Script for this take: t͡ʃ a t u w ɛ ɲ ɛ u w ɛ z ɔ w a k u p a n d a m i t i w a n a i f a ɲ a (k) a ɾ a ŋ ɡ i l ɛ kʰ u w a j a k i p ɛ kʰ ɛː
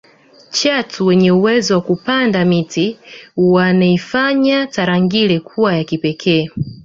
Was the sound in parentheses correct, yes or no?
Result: no